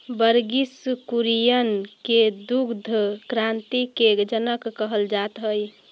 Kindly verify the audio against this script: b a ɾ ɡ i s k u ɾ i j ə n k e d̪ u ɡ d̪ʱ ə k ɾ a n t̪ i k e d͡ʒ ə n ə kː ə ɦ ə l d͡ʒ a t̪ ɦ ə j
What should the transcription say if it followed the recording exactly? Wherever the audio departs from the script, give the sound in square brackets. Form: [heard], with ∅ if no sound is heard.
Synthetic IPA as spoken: b [ə] ɾ ɡ i s k u ɾ i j ə n k e d̪ u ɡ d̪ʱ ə k ɾ a n t̪ i k e d͡ʒ ə n ə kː ə ɦ ə l d͡ʒ a t̪ ɦ ə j